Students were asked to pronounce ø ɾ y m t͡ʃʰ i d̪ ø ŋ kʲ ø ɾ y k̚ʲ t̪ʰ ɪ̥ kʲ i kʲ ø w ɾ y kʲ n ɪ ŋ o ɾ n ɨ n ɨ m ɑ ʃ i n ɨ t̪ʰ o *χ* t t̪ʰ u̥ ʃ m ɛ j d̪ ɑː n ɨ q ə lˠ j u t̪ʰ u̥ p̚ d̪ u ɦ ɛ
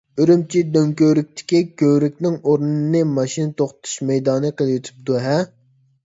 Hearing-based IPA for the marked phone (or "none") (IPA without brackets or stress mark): χ